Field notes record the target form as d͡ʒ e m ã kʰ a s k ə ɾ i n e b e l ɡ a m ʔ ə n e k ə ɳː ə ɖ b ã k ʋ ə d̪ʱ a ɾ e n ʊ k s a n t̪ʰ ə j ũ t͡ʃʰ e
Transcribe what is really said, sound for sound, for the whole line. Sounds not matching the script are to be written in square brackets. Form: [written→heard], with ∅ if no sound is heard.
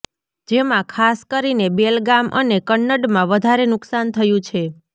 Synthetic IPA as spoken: d͡ʒ e m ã kʰ a s k ə ɾ i n e b e l ɡ a m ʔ ə n e k ə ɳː ə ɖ [b→m] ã [k→∅] ʋ ə d̪ʱ a ɾ e n ʊ k s a n t̪ʰ ə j ũ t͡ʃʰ e